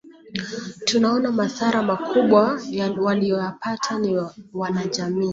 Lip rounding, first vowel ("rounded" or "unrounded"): rounded